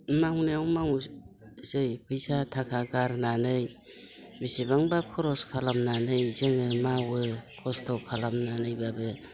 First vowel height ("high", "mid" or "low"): low